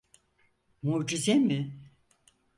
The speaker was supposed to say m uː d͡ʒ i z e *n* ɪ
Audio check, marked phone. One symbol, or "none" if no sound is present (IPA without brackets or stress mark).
m